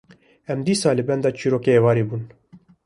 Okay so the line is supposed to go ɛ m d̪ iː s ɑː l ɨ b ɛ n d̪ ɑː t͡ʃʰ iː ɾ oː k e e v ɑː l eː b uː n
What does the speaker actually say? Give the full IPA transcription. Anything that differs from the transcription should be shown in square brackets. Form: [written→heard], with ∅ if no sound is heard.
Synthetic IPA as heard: ɛ m d̪ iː s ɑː l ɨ b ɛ n d̪ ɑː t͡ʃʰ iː ɾ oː k e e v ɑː [l→ɾ] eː b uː n